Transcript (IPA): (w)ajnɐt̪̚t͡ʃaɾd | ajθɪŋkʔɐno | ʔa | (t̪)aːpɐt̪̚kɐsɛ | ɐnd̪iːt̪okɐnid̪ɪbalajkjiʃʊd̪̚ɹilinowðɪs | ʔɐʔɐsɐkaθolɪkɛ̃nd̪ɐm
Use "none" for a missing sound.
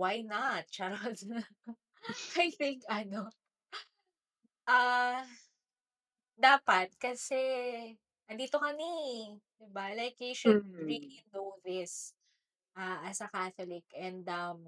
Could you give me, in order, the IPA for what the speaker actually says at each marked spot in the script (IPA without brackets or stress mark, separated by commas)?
w, d̪